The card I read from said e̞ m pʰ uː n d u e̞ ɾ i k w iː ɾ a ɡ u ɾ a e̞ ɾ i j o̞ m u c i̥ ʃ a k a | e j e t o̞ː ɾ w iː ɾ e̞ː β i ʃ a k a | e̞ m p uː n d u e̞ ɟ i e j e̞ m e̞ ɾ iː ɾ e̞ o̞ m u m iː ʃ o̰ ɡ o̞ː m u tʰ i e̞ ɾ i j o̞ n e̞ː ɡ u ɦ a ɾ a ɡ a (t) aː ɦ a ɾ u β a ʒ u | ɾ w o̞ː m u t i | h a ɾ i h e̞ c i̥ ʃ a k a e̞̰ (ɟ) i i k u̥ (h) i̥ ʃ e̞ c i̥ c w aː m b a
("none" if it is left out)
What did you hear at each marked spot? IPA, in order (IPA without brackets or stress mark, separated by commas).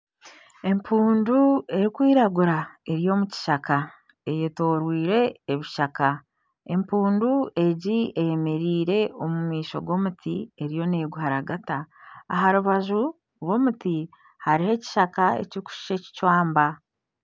t, c, ʃ